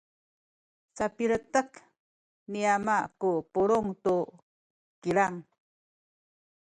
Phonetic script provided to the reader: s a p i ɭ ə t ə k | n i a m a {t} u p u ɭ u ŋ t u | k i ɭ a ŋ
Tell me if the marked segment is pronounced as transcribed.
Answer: no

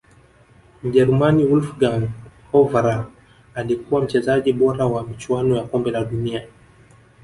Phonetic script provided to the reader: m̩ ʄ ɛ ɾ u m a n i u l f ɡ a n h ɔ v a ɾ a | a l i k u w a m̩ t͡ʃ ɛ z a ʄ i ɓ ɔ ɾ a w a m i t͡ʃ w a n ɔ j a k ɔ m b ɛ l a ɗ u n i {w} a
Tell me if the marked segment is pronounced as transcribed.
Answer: no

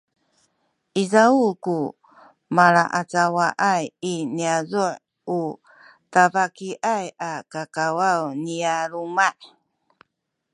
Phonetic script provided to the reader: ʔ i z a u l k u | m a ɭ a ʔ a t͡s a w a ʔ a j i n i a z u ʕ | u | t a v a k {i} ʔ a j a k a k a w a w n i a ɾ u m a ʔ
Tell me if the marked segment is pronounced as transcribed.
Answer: yes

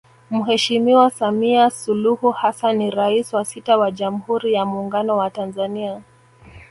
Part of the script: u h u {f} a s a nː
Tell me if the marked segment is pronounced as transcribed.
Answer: no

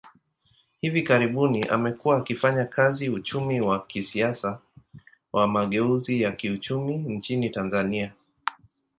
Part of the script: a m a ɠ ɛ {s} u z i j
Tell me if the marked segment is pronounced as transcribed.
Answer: no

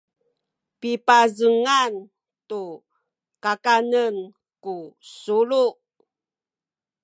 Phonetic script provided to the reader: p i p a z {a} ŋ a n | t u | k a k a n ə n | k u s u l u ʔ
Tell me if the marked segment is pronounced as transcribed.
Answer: no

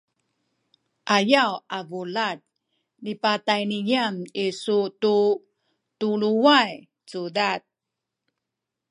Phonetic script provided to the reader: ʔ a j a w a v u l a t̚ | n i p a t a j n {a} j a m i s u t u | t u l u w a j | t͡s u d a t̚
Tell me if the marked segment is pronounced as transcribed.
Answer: no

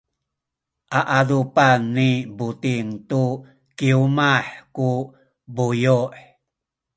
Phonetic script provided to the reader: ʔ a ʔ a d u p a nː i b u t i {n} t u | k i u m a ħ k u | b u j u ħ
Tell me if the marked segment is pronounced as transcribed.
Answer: no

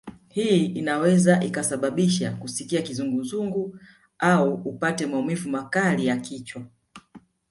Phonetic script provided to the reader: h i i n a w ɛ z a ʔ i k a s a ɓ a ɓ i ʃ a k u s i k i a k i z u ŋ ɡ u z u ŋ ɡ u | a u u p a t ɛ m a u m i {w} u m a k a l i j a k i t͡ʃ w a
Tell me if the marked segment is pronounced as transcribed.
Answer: no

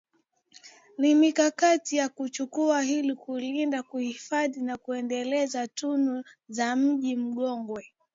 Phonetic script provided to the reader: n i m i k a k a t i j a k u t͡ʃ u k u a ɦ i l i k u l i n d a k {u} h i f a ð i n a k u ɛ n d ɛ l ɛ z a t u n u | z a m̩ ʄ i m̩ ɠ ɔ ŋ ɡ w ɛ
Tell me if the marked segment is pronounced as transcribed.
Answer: yes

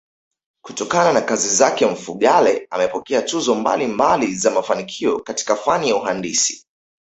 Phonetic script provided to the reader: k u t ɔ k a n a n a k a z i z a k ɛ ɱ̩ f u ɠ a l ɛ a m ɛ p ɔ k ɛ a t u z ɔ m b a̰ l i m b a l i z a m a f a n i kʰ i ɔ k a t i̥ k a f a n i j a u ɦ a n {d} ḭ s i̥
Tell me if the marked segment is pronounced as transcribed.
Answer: yes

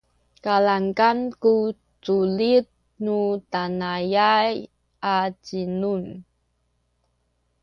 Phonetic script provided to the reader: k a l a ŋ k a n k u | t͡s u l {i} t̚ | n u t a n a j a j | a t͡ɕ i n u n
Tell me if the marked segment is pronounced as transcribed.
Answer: yes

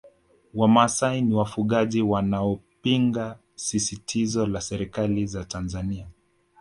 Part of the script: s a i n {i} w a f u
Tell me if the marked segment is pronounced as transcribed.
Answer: yes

